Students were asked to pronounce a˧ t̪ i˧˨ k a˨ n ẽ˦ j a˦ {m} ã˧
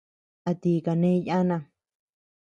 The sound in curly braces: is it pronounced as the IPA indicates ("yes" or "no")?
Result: no